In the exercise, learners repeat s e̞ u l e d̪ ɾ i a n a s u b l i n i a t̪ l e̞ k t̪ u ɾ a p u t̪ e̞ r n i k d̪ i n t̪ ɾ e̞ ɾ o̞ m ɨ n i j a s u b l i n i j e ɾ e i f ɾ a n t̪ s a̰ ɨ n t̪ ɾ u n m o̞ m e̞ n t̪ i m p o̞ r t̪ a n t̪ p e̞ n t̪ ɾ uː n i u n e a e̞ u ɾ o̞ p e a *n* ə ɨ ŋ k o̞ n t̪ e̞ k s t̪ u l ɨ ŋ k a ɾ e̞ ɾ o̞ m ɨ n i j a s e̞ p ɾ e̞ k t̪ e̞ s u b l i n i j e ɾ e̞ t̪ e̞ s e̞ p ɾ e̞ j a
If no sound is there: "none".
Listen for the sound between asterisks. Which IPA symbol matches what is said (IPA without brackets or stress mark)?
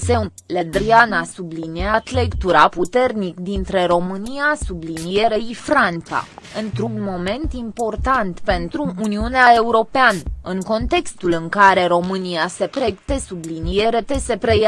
n